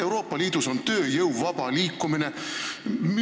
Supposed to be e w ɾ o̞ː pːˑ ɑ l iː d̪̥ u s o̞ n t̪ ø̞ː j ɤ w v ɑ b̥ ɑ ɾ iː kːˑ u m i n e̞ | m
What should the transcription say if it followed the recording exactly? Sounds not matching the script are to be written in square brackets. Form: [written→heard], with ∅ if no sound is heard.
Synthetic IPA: e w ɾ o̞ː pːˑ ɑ l iː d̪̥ u s o̞ n t̪ ø̞ː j ɤ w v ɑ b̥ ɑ [ɾ→l] iː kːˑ u m i n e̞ | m